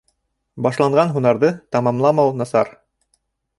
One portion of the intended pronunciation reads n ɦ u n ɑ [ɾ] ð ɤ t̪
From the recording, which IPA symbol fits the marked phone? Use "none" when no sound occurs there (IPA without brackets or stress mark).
ɾ